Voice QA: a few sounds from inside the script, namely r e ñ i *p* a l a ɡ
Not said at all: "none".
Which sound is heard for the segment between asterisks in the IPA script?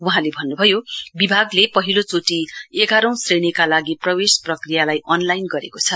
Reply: k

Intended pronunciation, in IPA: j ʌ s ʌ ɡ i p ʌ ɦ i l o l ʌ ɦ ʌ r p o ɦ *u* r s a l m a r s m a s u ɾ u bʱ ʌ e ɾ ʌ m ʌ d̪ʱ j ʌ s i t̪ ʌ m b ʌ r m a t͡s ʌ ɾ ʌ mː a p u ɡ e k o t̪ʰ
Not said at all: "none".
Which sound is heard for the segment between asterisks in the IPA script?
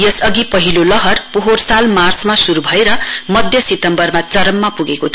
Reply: o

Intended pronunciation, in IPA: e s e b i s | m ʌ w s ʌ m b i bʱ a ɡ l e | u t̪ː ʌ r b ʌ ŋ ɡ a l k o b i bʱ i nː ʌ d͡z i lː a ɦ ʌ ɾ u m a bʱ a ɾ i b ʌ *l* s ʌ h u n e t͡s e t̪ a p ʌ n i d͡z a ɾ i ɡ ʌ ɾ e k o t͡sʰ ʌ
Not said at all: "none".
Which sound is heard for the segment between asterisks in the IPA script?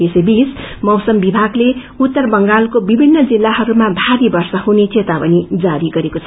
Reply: r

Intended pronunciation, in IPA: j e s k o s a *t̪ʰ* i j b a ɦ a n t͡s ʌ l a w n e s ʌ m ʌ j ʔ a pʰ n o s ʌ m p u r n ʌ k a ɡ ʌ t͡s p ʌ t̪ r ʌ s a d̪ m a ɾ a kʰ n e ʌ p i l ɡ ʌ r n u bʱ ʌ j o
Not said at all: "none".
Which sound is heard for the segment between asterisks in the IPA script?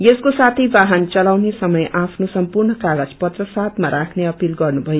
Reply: t̪ʰ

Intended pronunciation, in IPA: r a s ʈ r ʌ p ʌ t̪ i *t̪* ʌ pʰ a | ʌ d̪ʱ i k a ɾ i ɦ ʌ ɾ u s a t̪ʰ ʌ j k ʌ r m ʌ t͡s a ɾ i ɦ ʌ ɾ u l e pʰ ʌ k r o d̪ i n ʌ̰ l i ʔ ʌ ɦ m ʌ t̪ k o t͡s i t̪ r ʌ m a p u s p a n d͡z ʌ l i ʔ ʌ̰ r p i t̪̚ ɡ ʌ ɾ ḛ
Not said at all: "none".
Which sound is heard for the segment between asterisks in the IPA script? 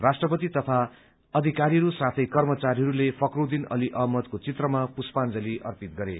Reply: t̪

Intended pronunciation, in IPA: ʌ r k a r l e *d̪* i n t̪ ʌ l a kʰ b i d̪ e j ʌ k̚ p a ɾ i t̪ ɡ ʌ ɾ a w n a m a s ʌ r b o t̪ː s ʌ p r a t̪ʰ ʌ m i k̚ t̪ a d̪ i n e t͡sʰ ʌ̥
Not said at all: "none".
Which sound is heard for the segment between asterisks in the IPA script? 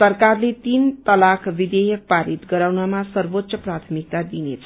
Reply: t̪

